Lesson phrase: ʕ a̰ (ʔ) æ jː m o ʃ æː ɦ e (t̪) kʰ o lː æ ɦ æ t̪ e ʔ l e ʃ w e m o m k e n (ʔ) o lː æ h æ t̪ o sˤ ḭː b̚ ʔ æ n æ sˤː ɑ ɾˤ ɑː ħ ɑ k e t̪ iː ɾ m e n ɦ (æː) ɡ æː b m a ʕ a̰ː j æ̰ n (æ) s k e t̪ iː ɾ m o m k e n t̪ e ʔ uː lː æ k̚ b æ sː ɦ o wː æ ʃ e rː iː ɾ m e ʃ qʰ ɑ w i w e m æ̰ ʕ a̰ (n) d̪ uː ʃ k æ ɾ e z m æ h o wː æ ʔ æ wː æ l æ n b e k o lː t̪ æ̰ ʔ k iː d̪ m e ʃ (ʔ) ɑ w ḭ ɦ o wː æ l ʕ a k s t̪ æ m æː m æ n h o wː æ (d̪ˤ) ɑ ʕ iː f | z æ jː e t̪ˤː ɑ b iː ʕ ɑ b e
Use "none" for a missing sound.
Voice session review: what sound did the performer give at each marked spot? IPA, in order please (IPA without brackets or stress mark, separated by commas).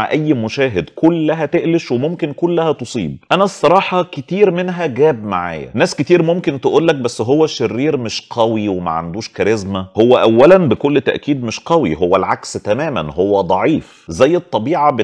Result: ʔ, d̪, k, æ, æː, n, q, d̪ˤ